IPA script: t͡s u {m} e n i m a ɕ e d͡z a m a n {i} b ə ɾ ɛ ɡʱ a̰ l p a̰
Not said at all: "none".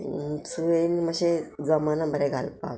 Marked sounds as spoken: none, a

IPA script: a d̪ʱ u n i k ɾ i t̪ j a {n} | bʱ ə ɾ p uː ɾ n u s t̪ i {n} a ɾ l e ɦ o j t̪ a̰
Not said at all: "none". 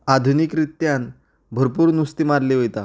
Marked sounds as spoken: n, m

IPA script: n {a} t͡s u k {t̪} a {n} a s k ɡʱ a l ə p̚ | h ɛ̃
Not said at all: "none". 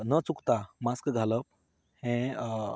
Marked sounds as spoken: ə, t̪, m

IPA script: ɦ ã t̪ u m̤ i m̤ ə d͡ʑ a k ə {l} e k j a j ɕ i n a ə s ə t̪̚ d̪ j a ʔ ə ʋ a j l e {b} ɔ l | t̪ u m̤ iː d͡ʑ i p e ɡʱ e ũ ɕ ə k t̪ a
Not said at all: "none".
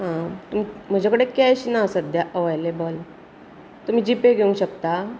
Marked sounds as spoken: ɽ, b

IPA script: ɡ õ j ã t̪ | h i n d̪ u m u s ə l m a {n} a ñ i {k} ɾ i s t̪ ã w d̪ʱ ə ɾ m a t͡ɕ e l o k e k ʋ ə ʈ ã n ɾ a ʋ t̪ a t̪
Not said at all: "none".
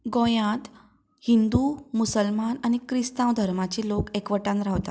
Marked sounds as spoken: n, k

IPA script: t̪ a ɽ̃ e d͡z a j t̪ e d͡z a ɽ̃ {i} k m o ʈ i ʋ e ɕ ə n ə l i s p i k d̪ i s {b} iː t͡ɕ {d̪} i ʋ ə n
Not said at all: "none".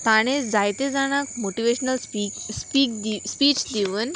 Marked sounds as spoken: a, p, d̪

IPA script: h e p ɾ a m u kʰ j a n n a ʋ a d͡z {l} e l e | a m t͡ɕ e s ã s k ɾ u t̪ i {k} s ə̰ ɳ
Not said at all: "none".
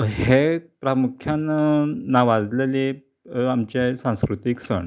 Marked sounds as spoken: l, k

